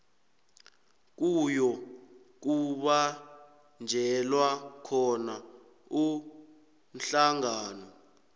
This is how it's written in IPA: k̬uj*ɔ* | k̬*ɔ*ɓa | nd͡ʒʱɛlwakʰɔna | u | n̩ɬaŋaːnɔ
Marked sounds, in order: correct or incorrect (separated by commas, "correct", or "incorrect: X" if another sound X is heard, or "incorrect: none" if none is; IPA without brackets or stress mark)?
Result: correct, incorrect: u